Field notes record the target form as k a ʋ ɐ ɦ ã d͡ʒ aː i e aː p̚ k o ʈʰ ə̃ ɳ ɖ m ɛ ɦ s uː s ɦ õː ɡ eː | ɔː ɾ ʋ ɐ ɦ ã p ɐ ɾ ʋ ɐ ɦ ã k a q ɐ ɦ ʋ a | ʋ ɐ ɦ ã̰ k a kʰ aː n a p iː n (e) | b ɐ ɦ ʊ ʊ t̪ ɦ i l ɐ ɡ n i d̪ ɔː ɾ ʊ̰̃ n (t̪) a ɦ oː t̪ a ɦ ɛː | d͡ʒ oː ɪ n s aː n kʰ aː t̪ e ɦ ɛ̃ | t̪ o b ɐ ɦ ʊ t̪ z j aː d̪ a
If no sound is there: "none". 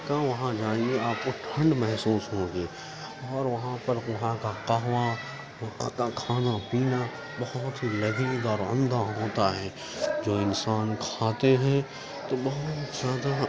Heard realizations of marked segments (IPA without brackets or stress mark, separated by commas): a, d̪